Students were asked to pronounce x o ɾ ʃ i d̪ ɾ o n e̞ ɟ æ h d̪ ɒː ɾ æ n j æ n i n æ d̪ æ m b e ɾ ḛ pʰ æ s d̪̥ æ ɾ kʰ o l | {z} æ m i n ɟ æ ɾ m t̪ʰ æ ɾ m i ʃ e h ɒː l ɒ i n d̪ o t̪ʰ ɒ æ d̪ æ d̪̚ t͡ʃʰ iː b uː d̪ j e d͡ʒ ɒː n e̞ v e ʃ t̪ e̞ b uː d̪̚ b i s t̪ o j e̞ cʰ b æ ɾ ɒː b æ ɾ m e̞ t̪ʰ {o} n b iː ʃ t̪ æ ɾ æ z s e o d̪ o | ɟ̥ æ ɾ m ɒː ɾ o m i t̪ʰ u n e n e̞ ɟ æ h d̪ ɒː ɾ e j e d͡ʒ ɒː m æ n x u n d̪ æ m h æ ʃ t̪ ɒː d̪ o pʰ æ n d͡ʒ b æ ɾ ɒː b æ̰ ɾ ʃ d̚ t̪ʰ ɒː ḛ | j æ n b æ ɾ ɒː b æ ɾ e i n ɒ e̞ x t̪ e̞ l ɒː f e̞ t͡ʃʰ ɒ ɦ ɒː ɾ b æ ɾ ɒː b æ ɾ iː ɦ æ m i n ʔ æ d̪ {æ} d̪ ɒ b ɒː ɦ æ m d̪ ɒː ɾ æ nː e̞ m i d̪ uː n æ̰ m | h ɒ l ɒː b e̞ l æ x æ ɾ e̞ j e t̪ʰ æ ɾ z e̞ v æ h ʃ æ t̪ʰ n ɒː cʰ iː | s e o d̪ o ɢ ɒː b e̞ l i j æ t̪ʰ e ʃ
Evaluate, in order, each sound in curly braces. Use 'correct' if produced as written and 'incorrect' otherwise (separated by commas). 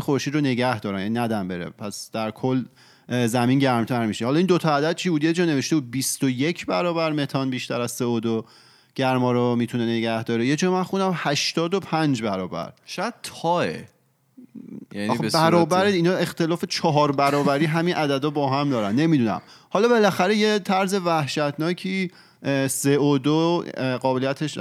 correct, incorrect, correct